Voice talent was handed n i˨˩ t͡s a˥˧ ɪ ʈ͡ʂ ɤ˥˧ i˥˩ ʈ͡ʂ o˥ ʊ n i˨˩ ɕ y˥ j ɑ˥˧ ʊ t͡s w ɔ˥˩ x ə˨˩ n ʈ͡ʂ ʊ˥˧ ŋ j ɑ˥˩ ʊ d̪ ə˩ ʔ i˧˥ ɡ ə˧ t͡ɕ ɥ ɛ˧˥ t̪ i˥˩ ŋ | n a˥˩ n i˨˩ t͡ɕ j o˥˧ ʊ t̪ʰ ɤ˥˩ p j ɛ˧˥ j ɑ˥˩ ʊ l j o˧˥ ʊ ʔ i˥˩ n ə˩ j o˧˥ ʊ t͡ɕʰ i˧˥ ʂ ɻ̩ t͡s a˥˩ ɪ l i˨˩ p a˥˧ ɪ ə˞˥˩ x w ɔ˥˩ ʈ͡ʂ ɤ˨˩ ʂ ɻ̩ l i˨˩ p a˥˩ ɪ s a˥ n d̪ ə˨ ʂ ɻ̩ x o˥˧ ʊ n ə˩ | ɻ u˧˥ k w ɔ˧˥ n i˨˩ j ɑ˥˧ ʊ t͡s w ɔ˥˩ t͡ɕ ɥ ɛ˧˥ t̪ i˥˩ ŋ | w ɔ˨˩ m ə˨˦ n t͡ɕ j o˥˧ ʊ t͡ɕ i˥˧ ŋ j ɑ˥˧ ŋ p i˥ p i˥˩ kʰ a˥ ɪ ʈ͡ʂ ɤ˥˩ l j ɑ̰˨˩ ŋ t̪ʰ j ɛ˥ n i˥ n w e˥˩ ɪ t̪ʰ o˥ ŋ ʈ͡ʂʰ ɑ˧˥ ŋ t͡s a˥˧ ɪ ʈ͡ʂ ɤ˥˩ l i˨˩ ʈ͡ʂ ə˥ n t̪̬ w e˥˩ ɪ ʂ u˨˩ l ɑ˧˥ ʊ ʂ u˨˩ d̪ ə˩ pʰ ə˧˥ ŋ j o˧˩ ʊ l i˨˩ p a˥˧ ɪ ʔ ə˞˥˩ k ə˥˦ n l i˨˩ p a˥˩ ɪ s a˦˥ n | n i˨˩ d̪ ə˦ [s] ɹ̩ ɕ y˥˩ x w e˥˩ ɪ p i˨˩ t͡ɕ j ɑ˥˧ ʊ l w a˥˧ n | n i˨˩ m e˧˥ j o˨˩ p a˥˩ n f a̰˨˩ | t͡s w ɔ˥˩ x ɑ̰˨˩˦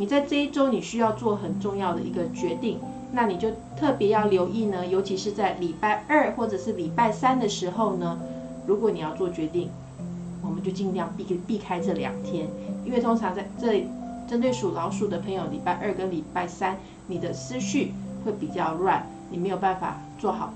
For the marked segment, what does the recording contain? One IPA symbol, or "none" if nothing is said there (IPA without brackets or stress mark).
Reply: s